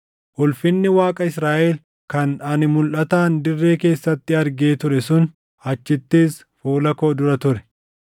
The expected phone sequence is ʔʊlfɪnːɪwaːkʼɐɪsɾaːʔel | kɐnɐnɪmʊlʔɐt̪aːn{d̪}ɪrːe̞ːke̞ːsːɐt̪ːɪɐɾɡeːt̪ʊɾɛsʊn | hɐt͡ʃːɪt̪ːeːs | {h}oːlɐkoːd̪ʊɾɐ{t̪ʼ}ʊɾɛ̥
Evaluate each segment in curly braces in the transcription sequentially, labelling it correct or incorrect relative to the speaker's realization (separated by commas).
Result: correct, incorrect, incorrect